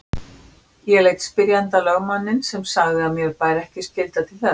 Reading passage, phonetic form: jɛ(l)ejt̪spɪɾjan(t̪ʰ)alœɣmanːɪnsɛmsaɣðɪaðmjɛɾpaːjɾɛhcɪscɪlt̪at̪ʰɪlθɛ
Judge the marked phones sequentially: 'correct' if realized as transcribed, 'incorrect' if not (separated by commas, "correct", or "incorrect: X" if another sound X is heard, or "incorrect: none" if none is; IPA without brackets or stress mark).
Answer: correct, incorrect: t̪